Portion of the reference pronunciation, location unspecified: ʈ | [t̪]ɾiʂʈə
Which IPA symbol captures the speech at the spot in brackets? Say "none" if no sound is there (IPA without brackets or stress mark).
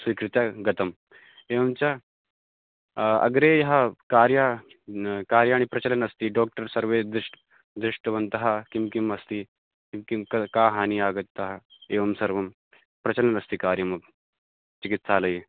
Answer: d̪